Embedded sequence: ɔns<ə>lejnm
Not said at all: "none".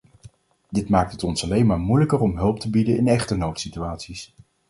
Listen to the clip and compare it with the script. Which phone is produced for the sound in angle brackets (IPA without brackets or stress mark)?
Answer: ɑ